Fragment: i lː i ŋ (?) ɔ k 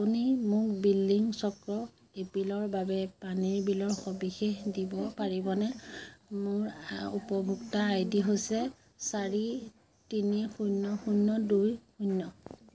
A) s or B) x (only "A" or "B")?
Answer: A